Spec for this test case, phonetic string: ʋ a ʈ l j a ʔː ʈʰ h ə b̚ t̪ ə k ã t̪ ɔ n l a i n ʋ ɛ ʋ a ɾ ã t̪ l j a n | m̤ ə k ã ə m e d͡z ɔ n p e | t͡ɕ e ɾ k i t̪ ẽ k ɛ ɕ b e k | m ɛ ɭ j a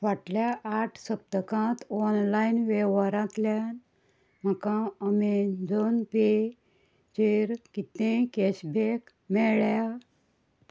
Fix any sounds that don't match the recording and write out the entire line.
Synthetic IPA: ʋ a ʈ l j a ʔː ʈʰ s ə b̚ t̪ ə k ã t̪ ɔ n l a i n ʋ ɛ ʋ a ɾ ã t̪ l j a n | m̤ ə k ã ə m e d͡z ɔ n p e | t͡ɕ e ɾ k i t̪ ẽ k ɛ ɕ b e k | m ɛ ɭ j a

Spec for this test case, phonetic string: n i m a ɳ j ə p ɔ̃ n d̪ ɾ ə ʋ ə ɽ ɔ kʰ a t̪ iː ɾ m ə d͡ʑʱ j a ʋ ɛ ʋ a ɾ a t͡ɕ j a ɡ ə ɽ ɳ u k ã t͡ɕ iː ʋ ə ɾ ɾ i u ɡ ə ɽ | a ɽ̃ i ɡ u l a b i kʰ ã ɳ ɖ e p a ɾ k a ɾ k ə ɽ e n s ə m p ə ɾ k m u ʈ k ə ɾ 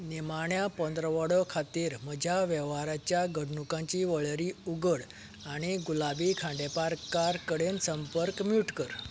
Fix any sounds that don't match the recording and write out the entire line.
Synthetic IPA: n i m a ɳ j a p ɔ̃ n d̪ ɾ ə ʋ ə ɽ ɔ kʰ a t̪ iː ɾ m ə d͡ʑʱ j a ʋ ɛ ʋ a ɾ a t͡ɕ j a ɡ ə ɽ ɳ u k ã t͡ɕ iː ʋ ə ɭ ɾ i u ɡ ə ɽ | a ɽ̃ i ɡ u l a b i kʰ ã ɳ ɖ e p a ɾ k a ɾ k ə ɽ e n s ə m p ə ɾ k m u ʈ k ə ɾ

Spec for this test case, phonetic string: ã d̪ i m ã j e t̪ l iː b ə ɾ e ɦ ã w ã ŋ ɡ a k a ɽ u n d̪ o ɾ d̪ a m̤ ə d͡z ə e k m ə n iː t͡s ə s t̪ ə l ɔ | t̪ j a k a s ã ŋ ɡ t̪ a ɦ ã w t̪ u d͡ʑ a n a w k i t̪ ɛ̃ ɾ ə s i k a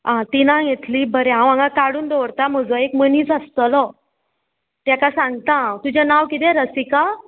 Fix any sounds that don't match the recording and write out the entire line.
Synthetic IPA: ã t̪ i n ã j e t̪ l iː b ə ɾ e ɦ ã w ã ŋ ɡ a k a ɽ uː n d̪ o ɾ t̪ a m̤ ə d͡z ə e k m ə n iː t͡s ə s t̪ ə l ɔ | t̪ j a k a s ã ŋ ɡ t̪ a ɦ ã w t̪ u d͡ʑ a n a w k i t̪ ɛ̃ ɾ ə s i k a

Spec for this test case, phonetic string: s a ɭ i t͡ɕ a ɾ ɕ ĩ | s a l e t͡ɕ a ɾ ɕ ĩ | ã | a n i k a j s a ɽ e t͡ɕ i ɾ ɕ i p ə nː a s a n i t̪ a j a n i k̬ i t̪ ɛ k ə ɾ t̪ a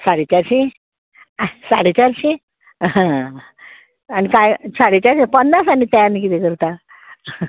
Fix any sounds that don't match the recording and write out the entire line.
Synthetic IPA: s a ɽ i t͡ɕ a ɾ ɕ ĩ | s a ɽ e t͡ɕ a ɾ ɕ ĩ | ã | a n i k a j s a ɽ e t͡ɕ a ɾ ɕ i p ə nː a s a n i t̪ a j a n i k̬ i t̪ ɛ k ə ɾ t̪ a

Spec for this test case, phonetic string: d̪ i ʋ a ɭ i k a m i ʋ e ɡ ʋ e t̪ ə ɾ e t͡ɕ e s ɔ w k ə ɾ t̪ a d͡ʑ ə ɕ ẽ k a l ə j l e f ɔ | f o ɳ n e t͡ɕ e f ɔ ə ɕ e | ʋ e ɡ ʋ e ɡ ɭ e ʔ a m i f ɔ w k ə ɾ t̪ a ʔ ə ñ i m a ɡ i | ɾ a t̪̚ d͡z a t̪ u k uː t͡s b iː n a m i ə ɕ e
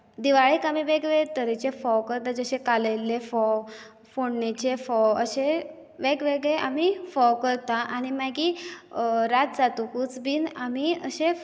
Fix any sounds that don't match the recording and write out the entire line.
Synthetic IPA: d̪ i ʋ a ɭ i k a m i ʋ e ɡ ʋ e t̪ ə ɾ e t͡ɕ e f ɔ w k ə ɾ t̪ a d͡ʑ ə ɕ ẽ k a l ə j l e f ɔ | f o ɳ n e t͡ɕ e f ɔ ə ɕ e | ʋ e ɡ ʋ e ɡ ɭ e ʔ a m i f ɔ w k ə ɾ t̪ a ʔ a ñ i m a ɡ i | ɾ a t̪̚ d͡z a t̪ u k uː t͡s b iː n a m i ə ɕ e

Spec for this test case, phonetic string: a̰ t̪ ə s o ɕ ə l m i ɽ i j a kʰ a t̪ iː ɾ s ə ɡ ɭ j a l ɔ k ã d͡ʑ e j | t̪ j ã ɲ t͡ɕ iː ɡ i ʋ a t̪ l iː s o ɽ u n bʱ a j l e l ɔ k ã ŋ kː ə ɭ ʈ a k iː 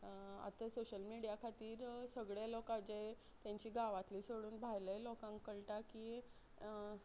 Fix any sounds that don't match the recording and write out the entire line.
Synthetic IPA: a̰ t̪ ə s o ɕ ə l m i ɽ i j a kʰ a t̪ iː ɾ s ə ɡ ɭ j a l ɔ k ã d͡ʑ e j | t̪ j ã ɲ t͡ɕ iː ɡ a ʋ a t̪ l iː s o ɽ uː n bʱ a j l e l ɔ k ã ŋ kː ə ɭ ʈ a k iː

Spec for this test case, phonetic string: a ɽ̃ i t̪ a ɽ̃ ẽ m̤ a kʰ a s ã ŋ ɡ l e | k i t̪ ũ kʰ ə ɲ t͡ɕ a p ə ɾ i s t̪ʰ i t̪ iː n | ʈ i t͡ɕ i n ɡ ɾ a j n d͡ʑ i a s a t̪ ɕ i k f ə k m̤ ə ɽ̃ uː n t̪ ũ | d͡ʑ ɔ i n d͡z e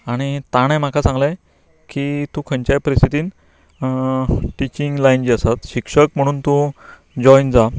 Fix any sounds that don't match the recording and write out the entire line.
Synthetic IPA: a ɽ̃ i t̪ a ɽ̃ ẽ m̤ a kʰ a s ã ŋ ɡ l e | k i t̪ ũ kʰ ə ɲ t͡ɕ a p ə ɾ i s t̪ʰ i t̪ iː n | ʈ i t͡ɕ i ŋ ɡ l a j n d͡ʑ i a s a t̪ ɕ i k ʂ ə k m̤ ə ɽ̃ uː n t̪ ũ | d͡ʑ ɔ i n d͡z a

